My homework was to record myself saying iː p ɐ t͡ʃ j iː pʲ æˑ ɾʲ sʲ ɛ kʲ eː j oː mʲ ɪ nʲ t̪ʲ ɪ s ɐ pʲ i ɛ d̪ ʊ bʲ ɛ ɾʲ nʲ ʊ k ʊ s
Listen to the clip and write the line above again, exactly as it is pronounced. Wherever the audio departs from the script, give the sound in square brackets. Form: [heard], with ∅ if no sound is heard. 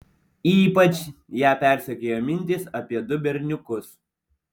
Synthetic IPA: iː p ɐ t͡ʃ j [æː] pʲ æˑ ɾʲ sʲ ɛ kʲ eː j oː mʲ ɪ nʲ t̪ʲ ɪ s ɐ pʲ i ɛ d̪ ʊ bʲ ɛ ɾʲ nʲ ʊ k ʊ s